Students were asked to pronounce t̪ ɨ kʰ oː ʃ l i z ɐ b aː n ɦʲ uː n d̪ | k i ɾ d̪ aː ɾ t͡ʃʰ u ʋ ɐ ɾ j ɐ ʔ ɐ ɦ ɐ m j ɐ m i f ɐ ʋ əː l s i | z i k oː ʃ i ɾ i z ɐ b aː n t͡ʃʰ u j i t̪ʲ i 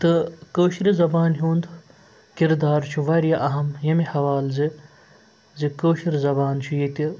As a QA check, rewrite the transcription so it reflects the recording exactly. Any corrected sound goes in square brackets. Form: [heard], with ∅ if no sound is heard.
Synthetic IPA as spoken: t̪ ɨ [k] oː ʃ [ɾ] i z ɐ b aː n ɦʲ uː n d̪ | k i ɾ d̪ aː ɾ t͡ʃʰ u ʋ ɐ ɾ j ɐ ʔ ɐ ɦ ɐ m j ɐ m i [h] ɐ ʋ [aː] l [z] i | z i k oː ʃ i ɾ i z ɐ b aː n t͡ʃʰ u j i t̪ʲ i